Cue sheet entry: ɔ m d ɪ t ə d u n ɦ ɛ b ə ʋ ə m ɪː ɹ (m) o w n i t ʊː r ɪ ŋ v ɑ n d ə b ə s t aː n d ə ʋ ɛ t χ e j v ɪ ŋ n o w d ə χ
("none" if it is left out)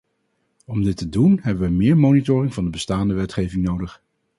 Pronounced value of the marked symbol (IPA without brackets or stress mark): m